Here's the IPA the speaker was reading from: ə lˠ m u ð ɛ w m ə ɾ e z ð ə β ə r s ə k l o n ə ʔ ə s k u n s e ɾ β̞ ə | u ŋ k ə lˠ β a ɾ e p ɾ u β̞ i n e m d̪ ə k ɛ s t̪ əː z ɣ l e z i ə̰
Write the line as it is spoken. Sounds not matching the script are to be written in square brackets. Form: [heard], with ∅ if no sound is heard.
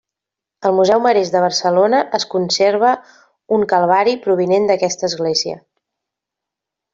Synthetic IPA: ə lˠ m u [z] ɛ w m ə ɾ e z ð ə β ə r s ə [∅] l o n ə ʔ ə s k u n s e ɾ β̞ ə | u ŋ k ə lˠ β a ɾ [i] p ɾ u β̞ i n e [n] d̪ ə k ɛ s t̪ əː z ɣ l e z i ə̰

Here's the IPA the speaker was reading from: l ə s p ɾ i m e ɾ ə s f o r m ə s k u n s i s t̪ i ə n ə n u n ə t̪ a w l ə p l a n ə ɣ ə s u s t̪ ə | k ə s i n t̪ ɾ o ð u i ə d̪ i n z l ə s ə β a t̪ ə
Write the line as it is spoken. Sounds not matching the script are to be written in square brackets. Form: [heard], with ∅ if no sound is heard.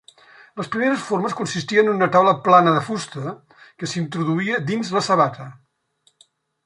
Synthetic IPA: l ə s p ɾ i m e ɾ ə s f o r m ə s k u n s i s t̪ i ə n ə n u n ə t̪ a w l ə p l a n ə [ð] ə [f] u s t̪ ə | k ə s i n t̪ ɾ [u] ð u i ə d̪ i n z l ə s ə β a t̪ ə

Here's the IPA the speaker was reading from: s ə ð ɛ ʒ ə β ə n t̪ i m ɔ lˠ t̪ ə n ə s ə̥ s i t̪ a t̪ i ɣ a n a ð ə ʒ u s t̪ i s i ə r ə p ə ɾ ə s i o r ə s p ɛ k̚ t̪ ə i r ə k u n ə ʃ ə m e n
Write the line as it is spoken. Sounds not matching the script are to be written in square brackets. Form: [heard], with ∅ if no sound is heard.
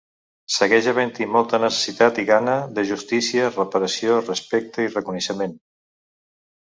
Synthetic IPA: s ə [ɣ] ɛ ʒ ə β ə n t̪ i m ɔ lˠ t̪ ə n ə s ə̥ s i t̪ a t̪ i ɣ a n [ə] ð ə ʒ u s t̪ i s i ə r ə p ə ɾ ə s i o r ə s p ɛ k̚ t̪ ə i r ə k u n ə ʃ ə m e n

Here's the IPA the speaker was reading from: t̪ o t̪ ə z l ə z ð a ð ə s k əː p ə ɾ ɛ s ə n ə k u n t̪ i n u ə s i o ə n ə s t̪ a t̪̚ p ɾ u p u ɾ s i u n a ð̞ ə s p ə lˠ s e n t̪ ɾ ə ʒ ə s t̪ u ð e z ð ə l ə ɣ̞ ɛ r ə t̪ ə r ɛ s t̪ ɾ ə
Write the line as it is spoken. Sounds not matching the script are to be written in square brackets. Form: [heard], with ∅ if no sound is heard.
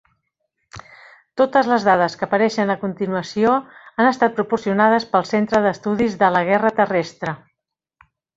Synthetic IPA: t̪ o t̪ ə z l ə z ð a ð ə s k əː p ə ɾ ɛ [ʃ] ə n ə k u n t̪ i n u ə s i o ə n ə s t̪ a t̪̚ p ɾ u p u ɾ s i u n a ð̞ ə s p ə lˠ s e n t̪ ɾ ə [ð] ə s t̪ u ð [i] z ð ə l ə ɣ̞ ɛ r ə t̪ ə r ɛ s t̪ ɾ ə

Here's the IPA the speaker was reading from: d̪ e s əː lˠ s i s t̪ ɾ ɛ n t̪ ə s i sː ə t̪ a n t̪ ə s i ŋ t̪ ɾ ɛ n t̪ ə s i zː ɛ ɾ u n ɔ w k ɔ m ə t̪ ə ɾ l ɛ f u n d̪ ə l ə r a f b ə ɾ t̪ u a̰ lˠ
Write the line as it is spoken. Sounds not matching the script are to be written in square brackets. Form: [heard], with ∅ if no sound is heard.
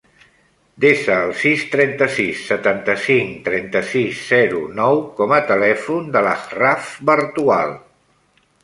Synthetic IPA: d̪ e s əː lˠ s i s t̪ ɾ ɛ n t̪ ə s i sː ə t̪ a n t̪ ə s i ŋ t̪ ɾ ɛ n t̪ ə s i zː ɛ ɾ u n ɔ w k ɔ m ə t̪ ə [∅] l ɛ f u n d̪ ə l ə r a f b ə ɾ t̪ u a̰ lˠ

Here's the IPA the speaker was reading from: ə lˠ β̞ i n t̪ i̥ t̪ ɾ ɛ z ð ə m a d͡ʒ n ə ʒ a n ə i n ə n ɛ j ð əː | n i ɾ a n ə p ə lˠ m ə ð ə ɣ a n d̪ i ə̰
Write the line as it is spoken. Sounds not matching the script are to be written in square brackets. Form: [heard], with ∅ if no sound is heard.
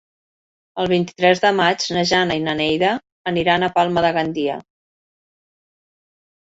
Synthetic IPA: ə lˠ β̞ i n t̪ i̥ t̪ ɾ ɛ z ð ə m a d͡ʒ n ə ʒ a n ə i n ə n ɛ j ð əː | n i ɾ a n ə p [a] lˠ m ə ð ə ɣ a n d̪ i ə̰

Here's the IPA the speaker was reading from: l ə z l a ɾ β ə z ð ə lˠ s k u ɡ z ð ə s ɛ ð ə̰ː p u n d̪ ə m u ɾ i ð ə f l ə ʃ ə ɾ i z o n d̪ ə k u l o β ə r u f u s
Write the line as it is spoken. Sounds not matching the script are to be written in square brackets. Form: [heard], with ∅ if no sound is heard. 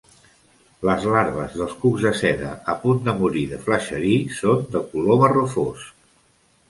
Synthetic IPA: l ə z l a ɾ β ə z ð ə lˠ s k u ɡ z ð ə s ɛ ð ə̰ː p u n d̪ ə m u ɾ i ð ə f l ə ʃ ə ɾ i [s] o n d̪ ə k u l o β ə r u f [o] s

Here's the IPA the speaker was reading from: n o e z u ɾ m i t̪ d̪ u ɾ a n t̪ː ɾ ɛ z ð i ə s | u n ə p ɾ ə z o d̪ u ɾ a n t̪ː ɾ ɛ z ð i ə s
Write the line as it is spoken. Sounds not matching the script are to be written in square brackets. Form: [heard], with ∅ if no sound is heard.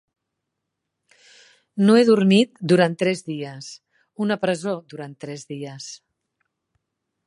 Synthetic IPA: n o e [ð] u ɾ m i t̪ d̪ u ɾ a n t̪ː ɾ ɛ z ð i ə s | u n ə p ɾ ə z o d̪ u ɾ a n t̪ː ɾ ɛ z ð i ə s

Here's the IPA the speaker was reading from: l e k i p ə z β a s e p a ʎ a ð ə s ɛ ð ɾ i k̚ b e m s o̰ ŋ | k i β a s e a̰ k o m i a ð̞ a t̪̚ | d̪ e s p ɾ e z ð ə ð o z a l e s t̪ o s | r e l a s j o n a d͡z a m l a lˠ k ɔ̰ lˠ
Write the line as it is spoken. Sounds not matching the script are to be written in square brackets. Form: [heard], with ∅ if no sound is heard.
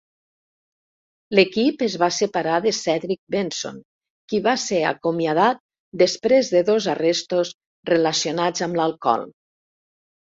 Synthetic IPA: l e k i p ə z β a s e p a [ɾ] a ð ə s ɛ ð ɾ i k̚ b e [n] s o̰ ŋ | k i β a s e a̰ k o m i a ð̞ a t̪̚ | d̪ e s p ɾ e z ð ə ð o z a [r] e s t̪ o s | r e l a s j o n a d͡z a m l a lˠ k ɔ̰ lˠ

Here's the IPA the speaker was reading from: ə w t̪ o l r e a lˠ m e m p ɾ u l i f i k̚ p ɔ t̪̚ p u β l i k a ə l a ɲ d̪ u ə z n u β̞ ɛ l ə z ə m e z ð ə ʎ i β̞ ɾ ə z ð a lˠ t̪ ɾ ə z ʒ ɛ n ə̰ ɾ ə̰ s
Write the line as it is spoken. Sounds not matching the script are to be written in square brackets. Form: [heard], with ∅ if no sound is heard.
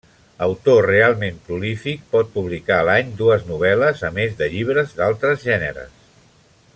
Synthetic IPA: ə w t̪ o [∅] r e a lˠ m e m p ɾ u l i f i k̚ p ɔ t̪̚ p u β l i k a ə l a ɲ d̪ u ə z n u β̞ ɛ l ə z ə m e z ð ə ʎ i β̞ ɾ ə z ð a lˠ t̪ ɾ ə z ʒ ɛ n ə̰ ɾ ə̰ s

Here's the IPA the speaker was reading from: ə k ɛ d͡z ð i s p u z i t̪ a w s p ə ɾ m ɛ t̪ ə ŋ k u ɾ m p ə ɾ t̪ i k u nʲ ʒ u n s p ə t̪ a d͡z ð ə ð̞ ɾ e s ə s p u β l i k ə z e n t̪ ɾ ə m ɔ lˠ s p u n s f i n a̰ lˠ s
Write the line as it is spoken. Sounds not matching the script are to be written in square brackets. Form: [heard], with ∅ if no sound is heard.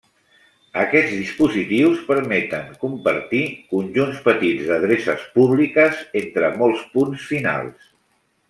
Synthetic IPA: ə k ɛ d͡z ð i s p u z i t̪ [i] w s p ə ɾ m ɛ t̪ ə ŋ k u [∅] m p ə ɾ t̪ i k u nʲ ʒ u n s p ə t̪ [i] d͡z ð ə ð̞ ɾ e s ə s p u β l i k ə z e n t̪ ɾ ə m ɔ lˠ s p u n s f i n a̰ lˠ s

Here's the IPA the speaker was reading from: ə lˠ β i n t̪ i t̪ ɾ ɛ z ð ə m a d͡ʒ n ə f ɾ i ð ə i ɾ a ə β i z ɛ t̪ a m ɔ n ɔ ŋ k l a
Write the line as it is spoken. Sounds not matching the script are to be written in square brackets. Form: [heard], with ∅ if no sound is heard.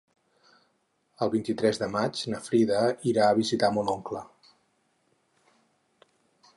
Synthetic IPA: ə lˠ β i n t̪ i t̪ ɾ ɛ z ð ə m a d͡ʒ n ə f ɾ i ð ə i ɾ a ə β i z [i] t̪ a m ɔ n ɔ ŋ k l [ə]

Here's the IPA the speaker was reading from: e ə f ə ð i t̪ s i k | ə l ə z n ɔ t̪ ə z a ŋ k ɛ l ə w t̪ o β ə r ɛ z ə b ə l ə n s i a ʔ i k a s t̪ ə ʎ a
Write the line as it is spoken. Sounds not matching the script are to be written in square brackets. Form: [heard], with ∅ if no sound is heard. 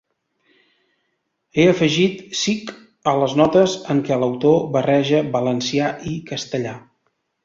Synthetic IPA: e ə f ə [ʒ] i t̪ s i k | ə l ə z n ɔ t̪ ə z [ə] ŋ k ɛ l ə w t̪ o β ə r ɛ [ʒ] ə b ə l ə n s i a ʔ i k [ə] s t̪ ə ʎ a

